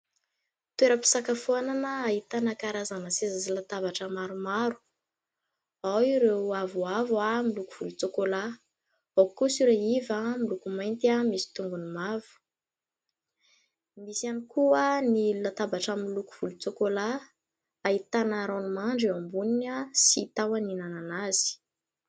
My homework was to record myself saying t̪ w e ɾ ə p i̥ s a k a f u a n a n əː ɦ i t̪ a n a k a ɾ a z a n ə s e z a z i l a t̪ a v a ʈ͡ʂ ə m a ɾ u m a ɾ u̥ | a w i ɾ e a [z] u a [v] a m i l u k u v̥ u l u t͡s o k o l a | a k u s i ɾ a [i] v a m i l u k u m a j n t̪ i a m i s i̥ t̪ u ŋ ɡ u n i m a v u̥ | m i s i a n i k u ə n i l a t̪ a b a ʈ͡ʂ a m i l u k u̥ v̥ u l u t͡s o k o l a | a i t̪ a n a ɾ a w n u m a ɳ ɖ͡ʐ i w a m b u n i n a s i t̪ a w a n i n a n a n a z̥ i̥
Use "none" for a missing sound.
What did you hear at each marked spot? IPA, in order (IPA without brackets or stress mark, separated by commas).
v, v, i